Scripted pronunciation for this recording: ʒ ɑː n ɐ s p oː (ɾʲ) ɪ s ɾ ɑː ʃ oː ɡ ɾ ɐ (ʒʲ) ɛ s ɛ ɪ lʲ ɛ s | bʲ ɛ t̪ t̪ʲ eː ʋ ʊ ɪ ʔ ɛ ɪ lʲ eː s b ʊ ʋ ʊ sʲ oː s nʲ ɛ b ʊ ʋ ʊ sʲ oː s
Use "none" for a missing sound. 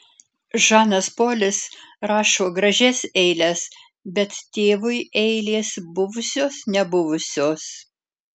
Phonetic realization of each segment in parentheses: lʲ, ʒʲ

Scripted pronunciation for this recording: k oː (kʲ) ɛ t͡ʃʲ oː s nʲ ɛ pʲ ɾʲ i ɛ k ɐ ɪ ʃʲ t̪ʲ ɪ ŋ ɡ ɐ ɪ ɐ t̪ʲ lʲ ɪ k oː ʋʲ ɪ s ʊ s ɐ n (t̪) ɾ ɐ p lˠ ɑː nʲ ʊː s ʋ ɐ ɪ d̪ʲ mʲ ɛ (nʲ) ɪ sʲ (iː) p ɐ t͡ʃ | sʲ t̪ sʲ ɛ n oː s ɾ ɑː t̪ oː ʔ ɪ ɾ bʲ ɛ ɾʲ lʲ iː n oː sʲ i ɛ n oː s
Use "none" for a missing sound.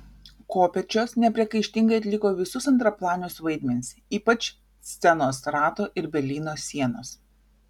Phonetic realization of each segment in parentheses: pʲ, t̪, nʲ, iː

